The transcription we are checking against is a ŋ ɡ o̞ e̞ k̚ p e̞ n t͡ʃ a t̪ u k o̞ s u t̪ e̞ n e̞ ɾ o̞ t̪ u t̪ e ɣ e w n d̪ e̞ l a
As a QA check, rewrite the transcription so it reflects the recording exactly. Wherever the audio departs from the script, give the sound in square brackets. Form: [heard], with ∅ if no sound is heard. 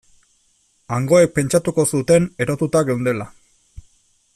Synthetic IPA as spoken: a ŋ ɡ o̞ e̞ k̚ p e̞ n t͡ʃ a t̪ u k o̞ s u t̪ e̞ n e̞ ɾ o̞ t̪ u t̪ [a] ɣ e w n d̪ e̞ l a